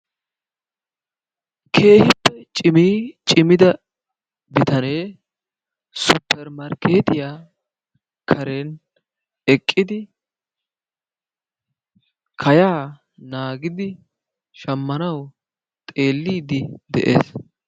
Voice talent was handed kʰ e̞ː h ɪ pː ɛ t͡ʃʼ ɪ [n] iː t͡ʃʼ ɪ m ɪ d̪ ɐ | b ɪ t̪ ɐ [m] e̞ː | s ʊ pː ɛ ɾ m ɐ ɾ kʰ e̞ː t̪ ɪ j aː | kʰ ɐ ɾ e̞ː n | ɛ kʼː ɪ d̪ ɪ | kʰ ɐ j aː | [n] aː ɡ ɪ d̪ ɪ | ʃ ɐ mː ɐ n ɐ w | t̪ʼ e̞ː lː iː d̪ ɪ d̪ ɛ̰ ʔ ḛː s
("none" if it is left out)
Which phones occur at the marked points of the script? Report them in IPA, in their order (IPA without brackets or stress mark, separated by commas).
m, n, n